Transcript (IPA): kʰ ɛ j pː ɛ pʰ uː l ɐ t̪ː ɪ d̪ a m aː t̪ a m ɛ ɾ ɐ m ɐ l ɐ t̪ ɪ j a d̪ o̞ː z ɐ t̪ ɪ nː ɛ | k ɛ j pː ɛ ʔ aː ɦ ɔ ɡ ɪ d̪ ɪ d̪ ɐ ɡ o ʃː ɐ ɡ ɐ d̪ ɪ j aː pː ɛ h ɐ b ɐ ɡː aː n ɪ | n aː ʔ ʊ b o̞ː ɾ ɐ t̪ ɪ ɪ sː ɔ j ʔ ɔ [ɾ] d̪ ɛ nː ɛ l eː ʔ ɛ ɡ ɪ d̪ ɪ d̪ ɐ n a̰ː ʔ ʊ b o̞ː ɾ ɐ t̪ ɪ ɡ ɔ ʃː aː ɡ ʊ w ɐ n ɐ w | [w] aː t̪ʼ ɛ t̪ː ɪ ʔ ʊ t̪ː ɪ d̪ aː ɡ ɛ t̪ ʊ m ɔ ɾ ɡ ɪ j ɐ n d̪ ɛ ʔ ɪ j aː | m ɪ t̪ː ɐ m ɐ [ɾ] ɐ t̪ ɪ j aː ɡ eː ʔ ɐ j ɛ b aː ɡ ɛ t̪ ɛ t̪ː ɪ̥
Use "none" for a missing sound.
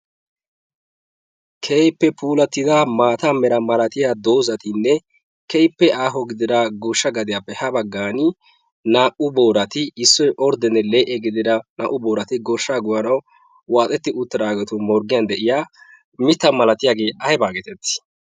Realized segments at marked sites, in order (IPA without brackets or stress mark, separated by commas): ɾ, w, l